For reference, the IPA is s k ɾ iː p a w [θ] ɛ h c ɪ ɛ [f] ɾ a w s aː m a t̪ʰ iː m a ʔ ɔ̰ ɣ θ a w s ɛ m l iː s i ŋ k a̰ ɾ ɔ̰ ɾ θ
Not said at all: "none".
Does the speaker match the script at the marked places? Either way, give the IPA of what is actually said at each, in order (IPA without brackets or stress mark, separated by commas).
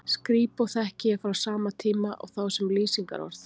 θ, f